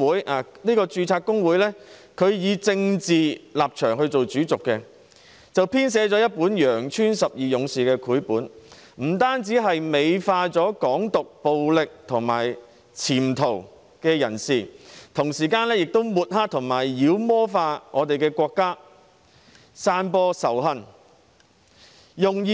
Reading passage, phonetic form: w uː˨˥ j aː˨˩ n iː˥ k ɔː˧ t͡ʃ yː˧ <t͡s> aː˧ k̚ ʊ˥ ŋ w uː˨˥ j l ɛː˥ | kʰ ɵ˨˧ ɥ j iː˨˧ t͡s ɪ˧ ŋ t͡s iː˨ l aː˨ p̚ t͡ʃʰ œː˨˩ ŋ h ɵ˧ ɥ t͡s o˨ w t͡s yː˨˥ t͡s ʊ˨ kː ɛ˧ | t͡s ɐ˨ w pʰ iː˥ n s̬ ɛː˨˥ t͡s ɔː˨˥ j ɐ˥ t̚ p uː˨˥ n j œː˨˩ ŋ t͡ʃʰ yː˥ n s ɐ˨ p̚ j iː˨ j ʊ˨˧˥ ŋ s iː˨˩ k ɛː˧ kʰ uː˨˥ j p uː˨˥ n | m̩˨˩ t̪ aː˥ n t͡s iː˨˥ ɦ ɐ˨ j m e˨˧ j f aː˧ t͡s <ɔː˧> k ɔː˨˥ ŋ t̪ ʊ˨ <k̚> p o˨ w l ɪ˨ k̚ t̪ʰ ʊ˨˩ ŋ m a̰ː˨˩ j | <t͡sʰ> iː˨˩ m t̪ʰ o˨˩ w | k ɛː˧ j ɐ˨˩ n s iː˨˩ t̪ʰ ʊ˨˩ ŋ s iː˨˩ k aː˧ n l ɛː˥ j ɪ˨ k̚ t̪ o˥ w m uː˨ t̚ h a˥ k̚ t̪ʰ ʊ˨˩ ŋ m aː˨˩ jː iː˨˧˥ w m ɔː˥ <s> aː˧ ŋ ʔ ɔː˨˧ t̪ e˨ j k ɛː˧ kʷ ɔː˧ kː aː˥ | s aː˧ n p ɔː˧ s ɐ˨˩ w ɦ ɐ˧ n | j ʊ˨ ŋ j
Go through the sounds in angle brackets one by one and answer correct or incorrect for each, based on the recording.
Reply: incorrect, incorrect, correct, correct, incorrect

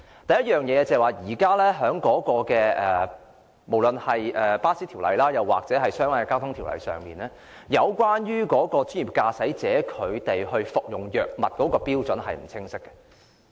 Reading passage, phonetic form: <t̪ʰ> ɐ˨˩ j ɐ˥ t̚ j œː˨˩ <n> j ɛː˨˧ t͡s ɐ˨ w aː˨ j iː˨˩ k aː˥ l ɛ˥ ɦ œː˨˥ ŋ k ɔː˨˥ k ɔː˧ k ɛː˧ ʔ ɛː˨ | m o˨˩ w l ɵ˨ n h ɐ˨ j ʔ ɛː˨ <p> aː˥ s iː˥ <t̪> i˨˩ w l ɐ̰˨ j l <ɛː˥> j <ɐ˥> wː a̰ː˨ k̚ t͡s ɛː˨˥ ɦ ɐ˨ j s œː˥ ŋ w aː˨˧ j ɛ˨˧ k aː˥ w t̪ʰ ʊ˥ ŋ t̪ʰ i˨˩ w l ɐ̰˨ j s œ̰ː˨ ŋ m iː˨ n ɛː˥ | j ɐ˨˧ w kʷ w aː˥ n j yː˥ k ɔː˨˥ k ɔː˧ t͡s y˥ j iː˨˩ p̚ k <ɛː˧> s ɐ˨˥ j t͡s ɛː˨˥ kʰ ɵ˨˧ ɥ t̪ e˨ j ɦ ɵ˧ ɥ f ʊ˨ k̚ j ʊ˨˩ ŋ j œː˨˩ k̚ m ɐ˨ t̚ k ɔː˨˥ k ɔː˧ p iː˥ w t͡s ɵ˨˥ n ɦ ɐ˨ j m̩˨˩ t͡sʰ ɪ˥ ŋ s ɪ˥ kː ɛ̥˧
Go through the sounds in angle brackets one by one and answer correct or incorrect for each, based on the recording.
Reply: incorrect, incorrect, correct, incorrect, incorrect, incorrect, incorrect

